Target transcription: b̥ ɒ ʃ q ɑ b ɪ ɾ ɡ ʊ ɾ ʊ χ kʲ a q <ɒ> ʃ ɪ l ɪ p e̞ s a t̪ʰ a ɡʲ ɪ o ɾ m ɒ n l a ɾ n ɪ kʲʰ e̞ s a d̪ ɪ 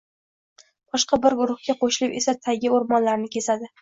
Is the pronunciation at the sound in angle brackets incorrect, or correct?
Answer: incorrect